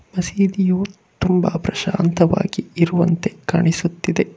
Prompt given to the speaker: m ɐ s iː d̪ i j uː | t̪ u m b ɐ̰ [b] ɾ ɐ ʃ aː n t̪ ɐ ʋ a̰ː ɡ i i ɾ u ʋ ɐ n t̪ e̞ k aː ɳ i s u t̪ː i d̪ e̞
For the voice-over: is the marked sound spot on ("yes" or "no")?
no